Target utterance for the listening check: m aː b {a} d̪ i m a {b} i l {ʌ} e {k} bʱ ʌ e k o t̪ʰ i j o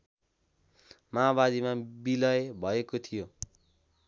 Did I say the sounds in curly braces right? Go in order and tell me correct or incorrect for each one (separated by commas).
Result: correct, correct, correct, incorrect